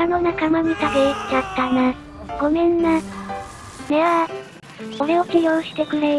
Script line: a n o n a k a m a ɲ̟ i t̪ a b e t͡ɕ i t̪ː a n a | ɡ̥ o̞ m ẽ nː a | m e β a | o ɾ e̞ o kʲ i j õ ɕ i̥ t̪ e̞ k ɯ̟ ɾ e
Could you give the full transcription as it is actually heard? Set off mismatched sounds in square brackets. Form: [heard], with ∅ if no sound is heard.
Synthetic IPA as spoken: a n o n a k a m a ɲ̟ i t̪ a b e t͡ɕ [a] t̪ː a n a | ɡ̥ o̞ m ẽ nː a | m e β a | o ɾ e̞ o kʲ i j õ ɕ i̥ t̪ e̞ k ɯ̟ ɾ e